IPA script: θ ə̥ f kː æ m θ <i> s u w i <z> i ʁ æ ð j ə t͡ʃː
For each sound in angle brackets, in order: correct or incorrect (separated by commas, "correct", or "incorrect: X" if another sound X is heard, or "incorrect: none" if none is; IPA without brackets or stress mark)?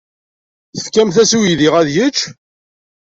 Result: incorrect: æ, incorrect: ð